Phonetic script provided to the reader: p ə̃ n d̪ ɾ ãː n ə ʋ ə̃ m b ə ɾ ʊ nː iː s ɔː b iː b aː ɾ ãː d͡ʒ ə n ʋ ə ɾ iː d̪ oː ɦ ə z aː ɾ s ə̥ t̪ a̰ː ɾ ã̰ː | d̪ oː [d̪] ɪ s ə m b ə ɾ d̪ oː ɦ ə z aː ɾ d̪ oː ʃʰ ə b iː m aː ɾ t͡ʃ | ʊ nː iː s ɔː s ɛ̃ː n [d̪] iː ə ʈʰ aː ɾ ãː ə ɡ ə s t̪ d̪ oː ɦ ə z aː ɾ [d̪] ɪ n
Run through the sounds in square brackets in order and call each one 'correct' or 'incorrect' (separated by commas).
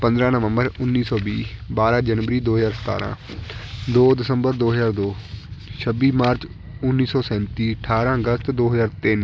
correct, incorrect, incorrect